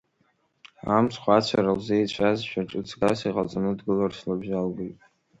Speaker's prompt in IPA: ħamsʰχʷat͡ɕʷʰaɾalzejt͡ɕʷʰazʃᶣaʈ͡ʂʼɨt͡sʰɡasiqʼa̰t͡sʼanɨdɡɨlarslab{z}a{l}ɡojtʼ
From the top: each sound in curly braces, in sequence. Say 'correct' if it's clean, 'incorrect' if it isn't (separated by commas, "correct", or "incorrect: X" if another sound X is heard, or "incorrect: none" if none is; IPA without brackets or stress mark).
incorrect: ʒ, correct